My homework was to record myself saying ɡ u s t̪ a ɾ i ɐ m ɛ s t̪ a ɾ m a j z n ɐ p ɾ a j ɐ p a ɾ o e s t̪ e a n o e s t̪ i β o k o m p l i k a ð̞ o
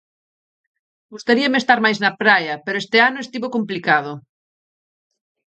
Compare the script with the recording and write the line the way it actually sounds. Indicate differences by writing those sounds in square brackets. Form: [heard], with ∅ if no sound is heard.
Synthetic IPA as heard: ɡ u s t̪ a ɾ i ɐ m [e] s t̪ a ɾ m a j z n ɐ p ɾ a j ɐ p [e] ɾ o e s t̪ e a n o e s t̪ i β o k o m p l i k a ð̞ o